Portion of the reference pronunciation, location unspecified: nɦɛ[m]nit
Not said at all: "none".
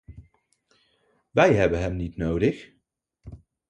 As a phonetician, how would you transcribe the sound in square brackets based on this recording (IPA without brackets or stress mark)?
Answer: m